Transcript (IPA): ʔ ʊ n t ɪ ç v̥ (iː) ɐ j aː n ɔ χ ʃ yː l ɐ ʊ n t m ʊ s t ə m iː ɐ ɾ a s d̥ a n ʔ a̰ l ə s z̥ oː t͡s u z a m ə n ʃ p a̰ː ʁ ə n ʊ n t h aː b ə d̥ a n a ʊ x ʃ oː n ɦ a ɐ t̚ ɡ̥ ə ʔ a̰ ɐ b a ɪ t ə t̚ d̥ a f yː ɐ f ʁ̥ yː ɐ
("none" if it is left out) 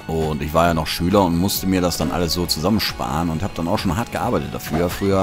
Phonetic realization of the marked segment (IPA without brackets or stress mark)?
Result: aː